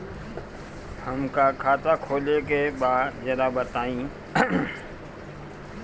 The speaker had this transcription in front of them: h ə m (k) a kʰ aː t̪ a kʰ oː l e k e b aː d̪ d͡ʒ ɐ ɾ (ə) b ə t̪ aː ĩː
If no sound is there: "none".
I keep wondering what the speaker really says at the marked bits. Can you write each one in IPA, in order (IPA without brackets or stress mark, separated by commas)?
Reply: k, a